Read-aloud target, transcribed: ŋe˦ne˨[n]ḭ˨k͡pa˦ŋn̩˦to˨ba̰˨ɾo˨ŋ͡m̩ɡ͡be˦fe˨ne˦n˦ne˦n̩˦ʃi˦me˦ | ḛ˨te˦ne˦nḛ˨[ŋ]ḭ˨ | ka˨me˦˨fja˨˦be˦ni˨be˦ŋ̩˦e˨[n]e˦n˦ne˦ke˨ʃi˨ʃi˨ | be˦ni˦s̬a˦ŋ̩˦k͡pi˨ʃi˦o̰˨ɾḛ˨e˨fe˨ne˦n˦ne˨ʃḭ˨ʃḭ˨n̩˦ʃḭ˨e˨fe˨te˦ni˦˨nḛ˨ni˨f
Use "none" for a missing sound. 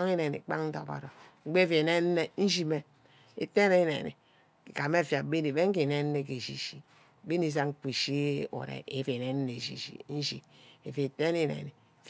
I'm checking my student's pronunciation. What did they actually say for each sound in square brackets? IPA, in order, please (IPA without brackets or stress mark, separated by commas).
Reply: n, n, n